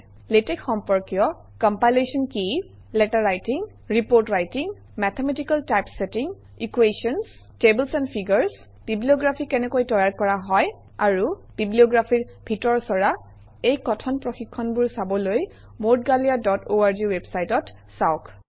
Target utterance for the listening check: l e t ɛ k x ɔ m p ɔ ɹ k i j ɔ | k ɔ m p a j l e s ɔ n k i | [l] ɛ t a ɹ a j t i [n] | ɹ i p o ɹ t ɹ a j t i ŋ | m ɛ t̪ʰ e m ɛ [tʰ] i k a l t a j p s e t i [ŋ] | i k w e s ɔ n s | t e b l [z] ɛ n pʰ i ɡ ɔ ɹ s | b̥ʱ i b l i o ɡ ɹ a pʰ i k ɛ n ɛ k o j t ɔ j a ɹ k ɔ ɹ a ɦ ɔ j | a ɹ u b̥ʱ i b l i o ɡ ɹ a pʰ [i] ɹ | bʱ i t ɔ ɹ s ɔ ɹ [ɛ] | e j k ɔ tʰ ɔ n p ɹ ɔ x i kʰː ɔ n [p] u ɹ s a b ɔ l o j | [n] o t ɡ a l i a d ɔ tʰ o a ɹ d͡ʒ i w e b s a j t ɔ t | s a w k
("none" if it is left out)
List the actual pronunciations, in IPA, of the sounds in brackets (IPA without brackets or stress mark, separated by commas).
l, ŋ, t, ŋ, s, i, a, b, m